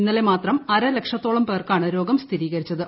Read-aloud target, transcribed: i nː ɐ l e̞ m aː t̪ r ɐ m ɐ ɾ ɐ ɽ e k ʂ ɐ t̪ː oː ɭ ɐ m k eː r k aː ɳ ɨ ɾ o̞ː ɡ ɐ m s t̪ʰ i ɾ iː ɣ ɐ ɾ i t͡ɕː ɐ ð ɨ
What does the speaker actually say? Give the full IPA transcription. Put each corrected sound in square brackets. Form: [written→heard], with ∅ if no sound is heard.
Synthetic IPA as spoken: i nː ɐ l e̞ m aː t̪ r ɐ m ɐ ɾ ɐ [ɽ→l] e k ʂ ɐ t̪ː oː ɭ ɐ m [k→p] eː r k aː ɳ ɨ ɾ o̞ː ɡ ɐ m s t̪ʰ i ɾ iː ɣ ɐ ɾ i t͡ɕː ɐ ð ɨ